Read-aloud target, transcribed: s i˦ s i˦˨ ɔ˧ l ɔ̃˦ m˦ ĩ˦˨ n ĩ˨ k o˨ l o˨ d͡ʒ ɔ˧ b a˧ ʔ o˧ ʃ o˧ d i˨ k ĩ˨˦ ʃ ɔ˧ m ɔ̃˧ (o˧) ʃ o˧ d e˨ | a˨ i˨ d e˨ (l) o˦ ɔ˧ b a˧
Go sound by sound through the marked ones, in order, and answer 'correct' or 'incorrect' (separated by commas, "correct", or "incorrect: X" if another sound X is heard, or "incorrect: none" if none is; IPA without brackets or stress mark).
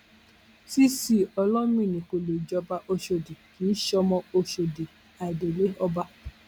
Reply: correct, correct